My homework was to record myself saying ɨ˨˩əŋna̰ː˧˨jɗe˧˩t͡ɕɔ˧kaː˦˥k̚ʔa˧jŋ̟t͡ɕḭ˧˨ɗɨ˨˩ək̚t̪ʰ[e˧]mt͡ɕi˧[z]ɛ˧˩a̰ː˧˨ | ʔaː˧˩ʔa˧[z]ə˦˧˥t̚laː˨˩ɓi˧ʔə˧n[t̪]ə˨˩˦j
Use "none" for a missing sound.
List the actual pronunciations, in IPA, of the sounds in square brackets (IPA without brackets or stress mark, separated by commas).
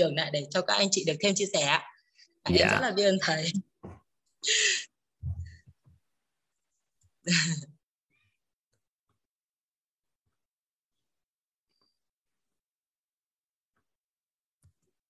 e˧, s, z, t̪ʰ